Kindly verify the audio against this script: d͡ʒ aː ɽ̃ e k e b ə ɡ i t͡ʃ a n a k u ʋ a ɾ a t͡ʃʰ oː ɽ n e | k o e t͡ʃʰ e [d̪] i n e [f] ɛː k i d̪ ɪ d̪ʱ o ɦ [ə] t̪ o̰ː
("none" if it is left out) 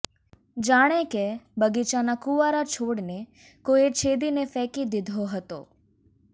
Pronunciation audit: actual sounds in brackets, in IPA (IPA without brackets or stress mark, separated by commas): d̪, f, ə